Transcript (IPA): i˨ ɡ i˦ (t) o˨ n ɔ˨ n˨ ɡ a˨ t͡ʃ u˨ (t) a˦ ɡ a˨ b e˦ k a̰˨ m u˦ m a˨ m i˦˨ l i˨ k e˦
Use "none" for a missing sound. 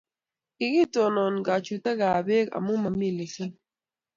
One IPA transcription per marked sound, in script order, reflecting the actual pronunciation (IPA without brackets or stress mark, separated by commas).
t, t